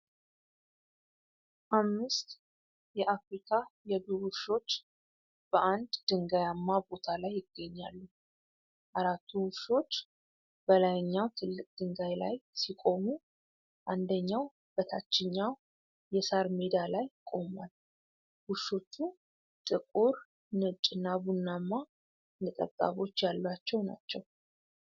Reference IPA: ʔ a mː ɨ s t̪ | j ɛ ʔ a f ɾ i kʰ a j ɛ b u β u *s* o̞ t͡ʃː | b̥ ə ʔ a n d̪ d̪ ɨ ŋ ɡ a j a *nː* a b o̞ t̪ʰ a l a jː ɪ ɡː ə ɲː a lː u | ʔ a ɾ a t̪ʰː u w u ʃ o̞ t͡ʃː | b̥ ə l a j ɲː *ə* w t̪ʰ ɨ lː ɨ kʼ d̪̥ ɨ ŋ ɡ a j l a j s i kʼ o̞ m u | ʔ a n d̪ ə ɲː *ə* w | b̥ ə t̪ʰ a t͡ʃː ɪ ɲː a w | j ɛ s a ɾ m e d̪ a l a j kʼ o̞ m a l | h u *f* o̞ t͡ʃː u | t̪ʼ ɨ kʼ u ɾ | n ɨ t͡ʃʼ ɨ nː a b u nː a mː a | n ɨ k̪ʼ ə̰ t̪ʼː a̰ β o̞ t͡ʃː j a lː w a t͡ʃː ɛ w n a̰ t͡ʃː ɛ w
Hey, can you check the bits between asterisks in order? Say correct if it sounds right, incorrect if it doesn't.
incorrect, incorrect, incorrect, incorrect, incorrect

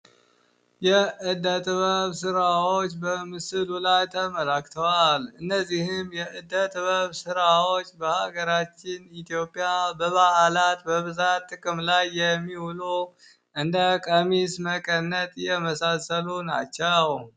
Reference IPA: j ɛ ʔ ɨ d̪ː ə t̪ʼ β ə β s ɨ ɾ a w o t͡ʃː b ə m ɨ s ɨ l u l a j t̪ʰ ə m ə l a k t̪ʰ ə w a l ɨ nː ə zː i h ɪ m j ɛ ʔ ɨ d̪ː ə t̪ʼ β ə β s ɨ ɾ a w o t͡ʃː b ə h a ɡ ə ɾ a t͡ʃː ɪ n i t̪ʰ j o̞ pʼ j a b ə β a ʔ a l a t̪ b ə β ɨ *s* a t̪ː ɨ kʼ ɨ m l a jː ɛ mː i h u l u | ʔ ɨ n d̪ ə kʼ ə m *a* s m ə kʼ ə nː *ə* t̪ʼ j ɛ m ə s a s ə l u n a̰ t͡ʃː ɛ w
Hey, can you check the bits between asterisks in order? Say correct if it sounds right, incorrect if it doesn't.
incorrect, incorrect, correct

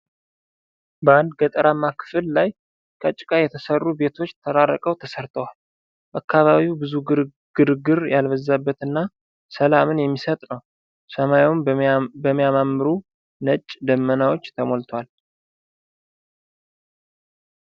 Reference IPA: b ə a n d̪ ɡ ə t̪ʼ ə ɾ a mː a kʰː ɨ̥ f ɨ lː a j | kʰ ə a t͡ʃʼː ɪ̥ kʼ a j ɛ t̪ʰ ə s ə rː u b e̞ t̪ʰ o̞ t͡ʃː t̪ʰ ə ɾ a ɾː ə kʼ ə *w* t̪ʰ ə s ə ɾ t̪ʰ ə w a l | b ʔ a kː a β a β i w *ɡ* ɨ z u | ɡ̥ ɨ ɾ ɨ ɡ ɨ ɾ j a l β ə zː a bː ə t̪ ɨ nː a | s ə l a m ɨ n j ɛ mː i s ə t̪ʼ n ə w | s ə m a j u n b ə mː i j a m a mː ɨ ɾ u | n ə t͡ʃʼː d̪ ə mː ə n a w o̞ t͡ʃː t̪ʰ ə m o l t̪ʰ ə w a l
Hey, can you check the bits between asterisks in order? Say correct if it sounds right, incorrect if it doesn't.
correct, incorrect

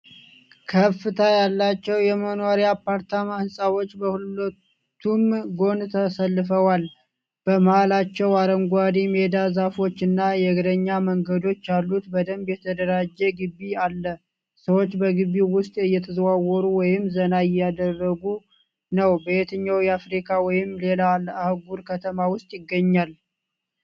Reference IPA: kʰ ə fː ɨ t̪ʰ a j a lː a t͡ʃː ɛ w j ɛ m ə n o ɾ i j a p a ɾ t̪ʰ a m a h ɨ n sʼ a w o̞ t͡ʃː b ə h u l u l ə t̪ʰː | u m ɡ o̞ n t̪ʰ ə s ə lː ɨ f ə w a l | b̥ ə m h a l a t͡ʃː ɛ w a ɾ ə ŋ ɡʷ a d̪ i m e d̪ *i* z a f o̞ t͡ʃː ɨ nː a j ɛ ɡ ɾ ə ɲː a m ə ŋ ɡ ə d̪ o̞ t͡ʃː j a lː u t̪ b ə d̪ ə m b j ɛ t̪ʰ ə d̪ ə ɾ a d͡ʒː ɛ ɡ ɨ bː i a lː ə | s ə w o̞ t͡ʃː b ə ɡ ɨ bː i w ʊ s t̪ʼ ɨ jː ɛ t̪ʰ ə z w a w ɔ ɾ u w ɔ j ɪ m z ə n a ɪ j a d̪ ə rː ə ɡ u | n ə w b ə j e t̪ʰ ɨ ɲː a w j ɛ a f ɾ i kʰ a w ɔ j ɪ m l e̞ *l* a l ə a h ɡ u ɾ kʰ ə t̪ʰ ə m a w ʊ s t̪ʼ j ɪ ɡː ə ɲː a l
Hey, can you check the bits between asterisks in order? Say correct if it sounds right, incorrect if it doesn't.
incorrect, correct

